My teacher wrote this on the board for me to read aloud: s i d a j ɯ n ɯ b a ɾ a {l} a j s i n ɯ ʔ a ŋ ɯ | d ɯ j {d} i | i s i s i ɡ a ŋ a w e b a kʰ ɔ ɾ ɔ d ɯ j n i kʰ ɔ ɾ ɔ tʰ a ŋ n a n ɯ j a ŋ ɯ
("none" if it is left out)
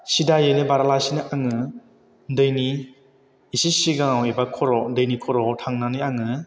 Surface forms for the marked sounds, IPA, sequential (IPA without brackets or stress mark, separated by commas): l, n